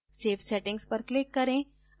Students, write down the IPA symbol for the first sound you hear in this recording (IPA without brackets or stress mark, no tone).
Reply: s